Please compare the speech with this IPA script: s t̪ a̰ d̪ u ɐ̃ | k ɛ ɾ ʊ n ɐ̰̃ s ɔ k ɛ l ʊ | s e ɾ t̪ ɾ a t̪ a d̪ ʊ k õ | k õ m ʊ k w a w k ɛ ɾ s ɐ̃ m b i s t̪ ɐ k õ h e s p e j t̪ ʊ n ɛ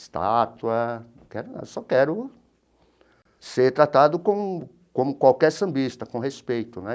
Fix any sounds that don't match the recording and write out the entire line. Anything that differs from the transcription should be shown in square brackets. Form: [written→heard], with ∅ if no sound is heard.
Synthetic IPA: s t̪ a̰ [d̪→t̪] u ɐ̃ | k ɛ ɾ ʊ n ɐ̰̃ s ɔ k ɛ [l→ɾ] ʊ | s e ɾ t̪ ɾ a t̪ a d̪ ʊ k õ | k õ m ʊ k w a w k ɛ ɾ s ɐ̃ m b i s t̪ ɐ k õ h e s p e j t̪ ʊ n ɛ